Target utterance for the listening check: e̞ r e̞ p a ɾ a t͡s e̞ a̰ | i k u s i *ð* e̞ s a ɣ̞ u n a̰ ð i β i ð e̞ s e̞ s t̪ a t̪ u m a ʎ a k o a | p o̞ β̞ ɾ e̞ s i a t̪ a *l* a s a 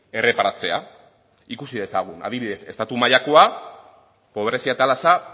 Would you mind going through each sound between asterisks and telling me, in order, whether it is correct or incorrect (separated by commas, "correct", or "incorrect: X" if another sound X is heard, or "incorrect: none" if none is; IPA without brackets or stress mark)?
correct, correct